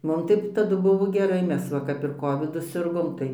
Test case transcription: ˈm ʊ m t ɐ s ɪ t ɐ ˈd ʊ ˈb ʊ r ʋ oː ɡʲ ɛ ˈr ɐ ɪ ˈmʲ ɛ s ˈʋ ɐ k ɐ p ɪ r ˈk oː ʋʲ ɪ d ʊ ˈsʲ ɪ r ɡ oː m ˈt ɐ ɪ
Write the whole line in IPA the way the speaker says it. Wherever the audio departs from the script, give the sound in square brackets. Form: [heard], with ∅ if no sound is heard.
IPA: ˈm ʊ m t ɐ [∅] ɪ t ɐ ˈd ʊ ˈb ʊ [∅] ʋ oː ɡʲ ɛ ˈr ɐ ɪ ˈmʲ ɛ s ˈʋ ɐ k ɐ p ɪ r ˈk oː ʋʲ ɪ d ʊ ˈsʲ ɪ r ɡ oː m ˈt ɐ ɪ